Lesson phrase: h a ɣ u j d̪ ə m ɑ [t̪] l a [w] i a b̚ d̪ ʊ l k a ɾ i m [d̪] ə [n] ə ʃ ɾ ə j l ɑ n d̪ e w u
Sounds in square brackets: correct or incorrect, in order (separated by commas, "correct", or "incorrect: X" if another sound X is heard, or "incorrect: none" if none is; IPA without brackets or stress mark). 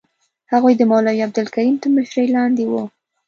incorrect: none, correct, incorrect: t̪, incorrect: m